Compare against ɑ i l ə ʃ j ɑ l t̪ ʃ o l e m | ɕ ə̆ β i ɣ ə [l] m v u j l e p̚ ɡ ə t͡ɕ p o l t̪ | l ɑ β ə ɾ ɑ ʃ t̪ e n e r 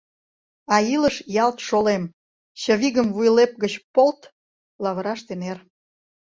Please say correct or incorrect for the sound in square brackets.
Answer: incorrect